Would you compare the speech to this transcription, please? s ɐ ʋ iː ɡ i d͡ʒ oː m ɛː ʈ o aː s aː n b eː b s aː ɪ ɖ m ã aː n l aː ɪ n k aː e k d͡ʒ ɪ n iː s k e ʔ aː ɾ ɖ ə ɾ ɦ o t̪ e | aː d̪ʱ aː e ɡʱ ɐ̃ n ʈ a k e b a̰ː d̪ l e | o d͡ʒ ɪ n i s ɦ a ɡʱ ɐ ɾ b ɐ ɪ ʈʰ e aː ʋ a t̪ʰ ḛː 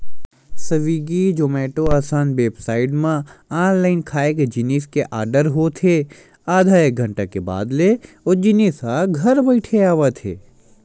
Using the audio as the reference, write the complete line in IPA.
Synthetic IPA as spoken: s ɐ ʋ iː ɡ i d͡ʒ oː m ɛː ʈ o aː s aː n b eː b s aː ɪ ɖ m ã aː n l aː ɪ n kʰ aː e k d͡ʒ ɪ n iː s k e ʔ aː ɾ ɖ ə ɾ ɦ o t̪ʰ e | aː d̪ʱ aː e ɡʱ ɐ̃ ɳ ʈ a k e b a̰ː d̪ l e | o d͡ʒ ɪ n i s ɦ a ɡʱ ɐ ɾ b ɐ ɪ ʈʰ e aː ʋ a t̪ʰ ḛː